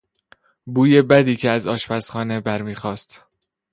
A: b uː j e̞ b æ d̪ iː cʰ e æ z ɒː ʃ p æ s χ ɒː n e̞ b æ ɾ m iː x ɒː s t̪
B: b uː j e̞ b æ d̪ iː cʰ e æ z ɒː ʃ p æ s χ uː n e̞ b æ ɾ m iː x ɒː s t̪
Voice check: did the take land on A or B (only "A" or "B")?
A